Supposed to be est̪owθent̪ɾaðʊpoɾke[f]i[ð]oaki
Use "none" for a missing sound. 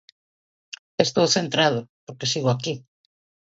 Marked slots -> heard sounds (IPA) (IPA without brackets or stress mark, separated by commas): s, ɣ